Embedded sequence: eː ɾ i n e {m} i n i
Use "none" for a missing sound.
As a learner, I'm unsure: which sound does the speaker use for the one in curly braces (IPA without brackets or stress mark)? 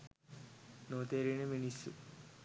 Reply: m